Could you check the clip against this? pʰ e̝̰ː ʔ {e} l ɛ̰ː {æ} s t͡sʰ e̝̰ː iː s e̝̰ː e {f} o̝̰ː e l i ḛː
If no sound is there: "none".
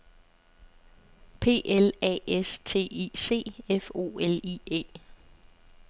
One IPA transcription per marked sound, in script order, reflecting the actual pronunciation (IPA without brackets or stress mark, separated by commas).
e, e, f